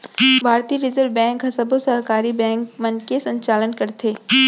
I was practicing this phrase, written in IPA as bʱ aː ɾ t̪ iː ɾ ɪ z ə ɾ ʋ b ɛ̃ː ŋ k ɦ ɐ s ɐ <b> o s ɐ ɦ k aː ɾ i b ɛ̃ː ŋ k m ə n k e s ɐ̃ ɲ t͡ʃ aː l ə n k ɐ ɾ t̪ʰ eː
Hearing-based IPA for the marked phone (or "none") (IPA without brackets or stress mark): b